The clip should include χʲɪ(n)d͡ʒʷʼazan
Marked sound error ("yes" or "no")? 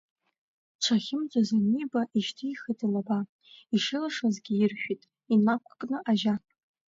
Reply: yes